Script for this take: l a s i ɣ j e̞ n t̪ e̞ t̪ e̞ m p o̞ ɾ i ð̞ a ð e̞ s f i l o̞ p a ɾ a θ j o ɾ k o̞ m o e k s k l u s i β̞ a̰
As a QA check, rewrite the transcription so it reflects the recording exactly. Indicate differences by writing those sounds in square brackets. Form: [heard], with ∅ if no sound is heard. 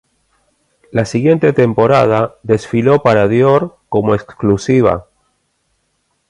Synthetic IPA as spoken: l a s i ɣ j e̞ n t̪ e̞ t̪ e̞ m p o̞ ɾ [a] ð̞ a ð e̞ s f i l o̞ p a ɾ a [ð] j o ɾ k o̞ m o e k s k l u s i β̞ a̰